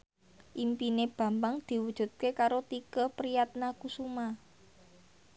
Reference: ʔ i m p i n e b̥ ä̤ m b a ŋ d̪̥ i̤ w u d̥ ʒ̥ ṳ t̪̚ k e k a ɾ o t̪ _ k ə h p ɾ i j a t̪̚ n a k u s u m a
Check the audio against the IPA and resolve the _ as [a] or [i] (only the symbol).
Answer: i